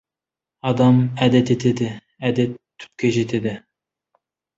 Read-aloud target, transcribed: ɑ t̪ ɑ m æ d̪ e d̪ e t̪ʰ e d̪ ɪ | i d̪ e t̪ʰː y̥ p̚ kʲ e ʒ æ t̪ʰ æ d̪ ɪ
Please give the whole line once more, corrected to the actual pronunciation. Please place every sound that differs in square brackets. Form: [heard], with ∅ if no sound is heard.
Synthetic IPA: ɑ [d̪] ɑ m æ d̪ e [t̪] e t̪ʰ e d̪ ɪ | [æ] d̪ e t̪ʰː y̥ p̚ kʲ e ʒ [e] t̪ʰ [e] d̪ ɪ

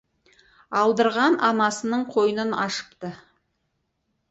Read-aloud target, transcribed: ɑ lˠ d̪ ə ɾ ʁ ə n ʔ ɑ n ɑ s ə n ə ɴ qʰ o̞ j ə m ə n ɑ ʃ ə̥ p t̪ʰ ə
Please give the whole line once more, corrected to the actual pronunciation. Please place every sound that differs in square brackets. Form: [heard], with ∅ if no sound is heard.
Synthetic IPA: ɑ lˠ d̪ ə ɾ ʁ [ɑ] n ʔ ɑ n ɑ s ə n ə ɴ qʰ o̞ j ə [n] ə n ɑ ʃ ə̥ p [t̪] ə

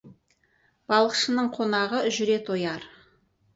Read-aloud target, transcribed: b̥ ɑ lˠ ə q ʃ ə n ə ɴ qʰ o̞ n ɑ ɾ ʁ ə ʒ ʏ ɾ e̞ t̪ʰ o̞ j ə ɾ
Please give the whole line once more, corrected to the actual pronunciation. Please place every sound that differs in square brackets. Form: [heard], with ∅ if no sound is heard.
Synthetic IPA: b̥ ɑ lˠ ə q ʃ ə n ə ɴ qʰ o̞ n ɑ [∅] ʁ ə ʒ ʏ ɾ e̞ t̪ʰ o̞ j [ɑ] ɾ

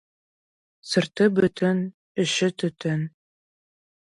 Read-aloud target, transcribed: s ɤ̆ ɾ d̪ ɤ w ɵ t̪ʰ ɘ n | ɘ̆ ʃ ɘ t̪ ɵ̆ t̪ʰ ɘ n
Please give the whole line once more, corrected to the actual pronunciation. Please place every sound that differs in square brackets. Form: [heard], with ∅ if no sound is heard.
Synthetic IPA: s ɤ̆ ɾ [t̪] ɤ [b] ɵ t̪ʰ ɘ n | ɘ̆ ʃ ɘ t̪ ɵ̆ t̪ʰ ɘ n

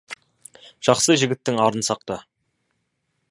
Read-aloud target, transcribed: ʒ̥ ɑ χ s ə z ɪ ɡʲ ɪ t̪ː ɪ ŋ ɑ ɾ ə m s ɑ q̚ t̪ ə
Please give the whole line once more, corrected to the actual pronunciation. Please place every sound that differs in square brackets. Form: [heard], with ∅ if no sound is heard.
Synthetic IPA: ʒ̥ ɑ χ s ə [ʒ] ɪ ɡʲ ɪ t̪ː ɪ ŋ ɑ ɾ ə [n] s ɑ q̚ t̪ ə

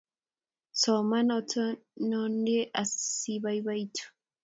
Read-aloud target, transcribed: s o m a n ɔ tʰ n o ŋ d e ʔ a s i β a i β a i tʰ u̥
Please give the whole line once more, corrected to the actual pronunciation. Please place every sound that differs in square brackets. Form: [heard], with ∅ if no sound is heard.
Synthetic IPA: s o m a n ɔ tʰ n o [n] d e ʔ a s i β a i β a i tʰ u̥

